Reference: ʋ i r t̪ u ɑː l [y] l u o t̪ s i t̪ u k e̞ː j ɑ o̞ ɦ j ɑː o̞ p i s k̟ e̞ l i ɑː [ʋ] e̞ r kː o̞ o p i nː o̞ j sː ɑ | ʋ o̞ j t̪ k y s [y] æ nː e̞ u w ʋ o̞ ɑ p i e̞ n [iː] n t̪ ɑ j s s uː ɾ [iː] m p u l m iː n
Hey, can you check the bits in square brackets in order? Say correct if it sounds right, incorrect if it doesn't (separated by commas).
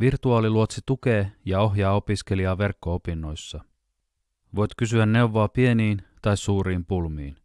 incorrect, correct, correct, correct, correct